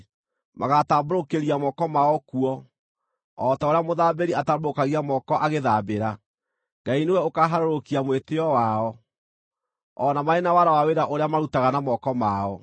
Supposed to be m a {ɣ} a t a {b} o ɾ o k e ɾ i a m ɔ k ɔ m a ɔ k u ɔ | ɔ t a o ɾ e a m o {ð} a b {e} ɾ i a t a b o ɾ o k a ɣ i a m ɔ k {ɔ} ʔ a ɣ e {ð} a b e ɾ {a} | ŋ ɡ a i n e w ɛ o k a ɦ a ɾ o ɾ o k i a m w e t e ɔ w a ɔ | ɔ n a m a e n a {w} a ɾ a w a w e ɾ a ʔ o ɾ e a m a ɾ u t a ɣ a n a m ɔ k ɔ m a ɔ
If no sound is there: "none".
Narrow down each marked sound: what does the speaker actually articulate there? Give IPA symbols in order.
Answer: ɣ, b, ð, e, ɔ, ð, a, w

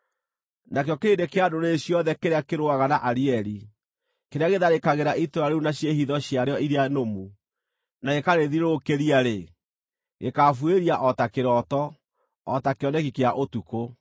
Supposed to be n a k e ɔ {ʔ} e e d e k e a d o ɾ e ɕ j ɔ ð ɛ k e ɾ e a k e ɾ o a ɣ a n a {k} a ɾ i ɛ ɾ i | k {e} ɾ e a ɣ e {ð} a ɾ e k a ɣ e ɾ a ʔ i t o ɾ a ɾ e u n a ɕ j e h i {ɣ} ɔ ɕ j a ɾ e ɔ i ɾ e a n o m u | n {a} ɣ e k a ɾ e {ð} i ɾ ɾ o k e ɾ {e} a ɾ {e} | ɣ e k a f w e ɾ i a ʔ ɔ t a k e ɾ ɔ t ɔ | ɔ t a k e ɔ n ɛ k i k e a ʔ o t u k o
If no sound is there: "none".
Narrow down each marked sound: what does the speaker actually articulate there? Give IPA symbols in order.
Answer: k, ʔ, e, ð, ð, a, ð, i, e

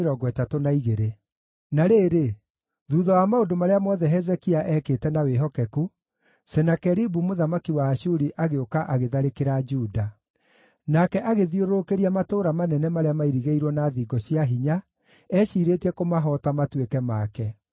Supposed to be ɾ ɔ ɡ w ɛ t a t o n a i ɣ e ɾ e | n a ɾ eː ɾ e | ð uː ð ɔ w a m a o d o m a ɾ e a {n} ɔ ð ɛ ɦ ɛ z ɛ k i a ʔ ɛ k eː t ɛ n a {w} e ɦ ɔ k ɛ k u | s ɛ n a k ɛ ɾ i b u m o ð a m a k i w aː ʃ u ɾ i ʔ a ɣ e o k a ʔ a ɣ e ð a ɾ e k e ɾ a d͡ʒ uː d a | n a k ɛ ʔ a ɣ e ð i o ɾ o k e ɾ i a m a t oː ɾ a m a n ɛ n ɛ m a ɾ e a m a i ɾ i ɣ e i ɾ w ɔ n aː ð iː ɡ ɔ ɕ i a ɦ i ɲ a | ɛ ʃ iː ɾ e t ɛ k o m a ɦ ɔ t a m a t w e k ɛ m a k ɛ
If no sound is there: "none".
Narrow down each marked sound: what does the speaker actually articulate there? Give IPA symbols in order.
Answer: m, w

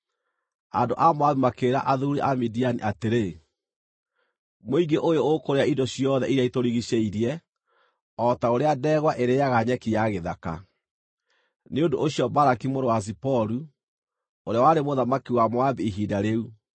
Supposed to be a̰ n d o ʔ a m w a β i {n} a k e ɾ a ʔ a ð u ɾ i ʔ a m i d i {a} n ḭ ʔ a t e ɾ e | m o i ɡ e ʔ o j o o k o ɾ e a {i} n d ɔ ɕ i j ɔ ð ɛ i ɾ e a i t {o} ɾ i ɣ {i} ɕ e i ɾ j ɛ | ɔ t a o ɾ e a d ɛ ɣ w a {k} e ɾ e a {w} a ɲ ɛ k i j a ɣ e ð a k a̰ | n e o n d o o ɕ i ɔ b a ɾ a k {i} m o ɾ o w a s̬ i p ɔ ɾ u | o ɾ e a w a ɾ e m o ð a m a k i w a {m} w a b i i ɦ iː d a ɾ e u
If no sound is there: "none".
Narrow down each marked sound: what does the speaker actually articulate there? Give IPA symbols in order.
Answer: m, a, i, o, i, ʔ, ɣ, i, m

